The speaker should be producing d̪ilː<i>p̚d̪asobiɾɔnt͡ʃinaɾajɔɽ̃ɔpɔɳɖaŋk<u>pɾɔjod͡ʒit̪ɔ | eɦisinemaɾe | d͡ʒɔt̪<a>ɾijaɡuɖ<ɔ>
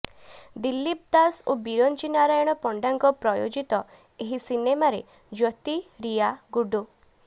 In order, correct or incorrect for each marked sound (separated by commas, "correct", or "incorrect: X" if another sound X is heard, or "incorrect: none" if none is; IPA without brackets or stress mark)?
correct, incorrect: ɔ, incorrect: i, incorrect: u